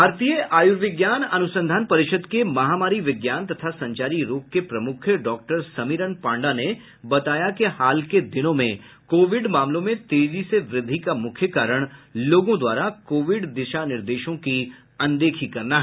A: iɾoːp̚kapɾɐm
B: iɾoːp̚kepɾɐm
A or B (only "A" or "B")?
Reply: B